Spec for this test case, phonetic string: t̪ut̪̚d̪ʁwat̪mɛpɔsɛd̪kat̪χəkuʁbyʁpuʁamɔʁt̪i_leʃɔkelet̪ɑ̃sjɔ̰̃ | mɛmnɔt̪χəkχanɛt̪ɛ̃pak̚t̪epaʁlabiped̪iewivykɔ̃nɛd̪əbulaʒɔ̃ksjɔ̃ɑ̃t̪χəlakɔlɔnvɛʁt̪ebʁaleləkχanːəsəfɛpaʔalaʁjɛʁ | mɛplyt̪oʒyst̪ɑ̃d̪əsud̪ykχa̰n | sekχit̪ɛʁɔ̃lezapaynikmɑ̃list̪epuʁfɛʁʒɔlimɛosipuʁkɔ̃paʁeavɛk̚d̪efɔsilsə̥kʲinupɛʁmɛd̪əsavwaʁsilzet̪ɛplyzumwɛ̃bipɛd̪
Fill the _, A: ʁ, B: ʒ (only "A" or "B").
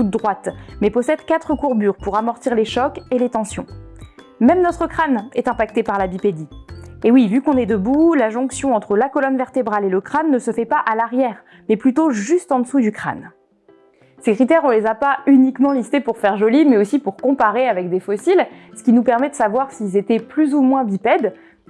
A